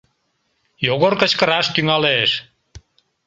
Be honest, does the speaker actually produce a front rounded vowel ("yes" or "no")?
yes